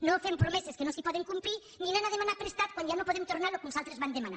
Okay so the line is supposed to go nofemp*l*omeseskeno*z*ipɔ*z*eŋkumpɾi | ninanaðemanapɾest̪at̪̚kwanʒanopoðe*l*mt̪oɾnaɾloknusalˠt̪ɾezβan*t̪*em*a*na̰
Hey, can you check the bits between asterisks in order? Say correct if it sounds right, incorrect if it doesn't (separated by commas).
incorrect, incorrect, incorrect, incorrect, incorrect, correct